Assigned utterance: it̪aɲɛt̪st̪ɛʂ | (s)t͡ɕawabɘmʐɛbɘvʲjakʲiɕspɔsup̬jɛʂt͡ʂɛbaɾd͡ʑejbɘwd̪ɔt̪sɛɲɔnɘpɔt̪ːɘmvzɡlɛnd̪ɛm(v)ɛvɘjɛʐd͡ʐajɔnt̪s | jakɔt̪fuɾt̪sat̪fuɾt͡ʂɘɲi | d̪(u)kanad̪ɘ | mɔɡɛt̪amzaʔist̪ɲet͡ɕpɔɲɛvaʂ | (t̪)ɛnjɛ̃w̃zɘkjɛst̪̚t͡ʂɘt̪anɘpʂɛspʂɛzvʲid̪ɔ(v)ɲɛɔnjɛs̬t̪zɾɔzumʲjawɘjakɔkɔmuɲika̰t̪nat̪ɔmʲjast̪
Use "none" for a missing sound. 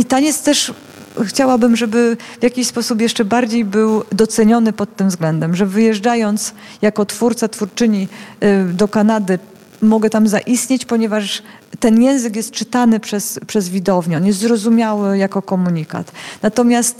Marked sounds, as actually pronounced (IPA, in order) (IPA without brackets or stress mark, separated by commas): x, ʐ, ɔ, t̪, v